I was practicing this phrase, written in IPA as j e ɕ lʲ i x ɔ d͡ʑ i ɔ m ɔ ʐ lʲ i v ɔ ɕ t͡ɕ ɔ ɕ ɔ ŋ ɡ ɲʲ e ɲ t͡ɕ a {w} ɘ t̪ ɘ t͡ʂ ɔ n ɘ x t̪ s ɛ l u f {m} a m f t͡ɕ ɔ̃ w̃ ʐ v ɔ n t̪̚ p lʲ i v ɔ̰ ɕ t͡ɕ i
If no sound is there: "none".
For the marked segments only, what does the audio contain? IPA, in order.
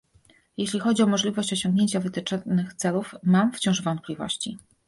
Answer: v, m

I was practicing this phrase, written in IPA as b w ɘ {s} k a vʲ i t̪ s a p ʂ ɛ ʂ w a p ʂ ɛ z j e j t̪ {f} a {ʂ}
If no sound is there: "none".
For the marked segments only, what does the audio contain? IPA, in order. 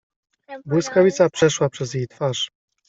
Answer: s, f, ʂ

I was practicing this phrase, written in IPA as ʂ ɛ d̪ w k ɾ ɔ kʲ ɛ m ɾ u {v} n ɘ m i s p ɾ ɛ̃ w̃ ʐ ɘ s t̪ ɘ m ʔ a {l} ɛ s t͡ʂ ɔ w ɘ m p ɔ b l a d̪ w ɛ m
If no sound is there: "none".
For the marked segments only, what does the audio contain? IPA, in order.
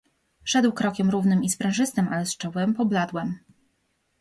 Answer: v, l

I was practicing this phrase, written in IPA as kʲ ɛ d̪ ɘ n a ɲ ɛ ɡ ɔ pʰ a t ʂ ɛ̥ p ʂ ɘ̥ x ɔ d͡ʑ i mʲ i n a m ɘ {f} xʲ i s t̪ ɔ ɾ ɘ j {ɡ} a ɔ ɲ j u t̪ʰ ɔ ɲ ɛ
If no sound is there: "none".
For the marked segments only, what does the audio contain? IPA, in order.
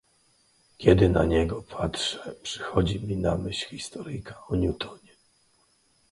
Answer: ɕ, k

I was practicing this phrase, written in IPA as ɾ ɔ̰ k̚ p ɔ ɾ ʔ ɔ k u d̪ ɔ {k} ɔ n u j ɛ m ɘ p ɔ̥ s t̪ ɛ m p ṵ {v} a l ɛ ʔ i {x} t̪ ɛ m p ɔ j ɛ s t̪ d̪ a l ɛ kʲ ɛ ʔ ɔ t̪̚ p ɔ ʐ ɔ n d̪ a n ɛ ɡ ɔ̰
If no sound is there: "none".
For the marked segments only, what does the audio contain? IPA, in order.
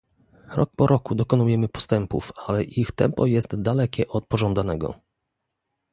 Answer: k, f, x

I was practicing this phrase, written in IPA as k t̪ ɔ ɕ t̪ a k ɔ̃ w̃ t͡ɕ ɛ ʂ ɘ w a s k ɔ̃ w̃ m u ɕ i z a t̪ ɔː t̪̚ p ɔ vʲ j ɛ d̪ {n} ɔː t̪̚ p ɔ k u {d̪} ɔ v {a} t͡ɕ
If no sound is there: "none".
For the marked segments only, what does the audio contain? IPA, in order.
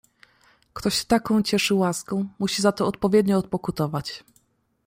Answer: ɲ, t̪, a

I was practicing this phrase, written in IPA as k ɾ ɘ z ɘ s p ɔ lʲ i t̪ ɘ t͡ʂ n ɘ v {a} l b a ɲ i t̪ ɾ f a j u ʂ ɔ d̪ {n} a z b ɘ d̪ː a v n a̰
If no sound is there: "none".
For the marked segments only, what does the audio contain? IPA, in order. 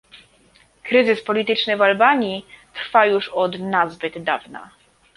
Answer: a, n

